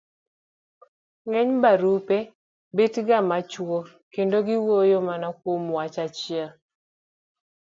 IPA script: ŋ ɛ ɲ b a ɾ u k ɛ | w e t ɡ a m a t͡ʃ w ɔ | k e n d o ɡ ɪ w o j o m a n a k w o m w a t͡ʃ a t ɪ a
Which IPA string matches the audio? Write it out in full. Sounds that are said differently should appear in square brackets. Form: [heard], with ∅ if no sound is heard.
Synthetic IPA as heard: ŋ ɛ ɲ b a ɾ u [p] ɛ | [b] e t ɡ a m a t͡ʃ w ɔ | k e n d o ɡ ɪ w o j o m a n a k w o m w a t͡ʃ a [t͡ʃ] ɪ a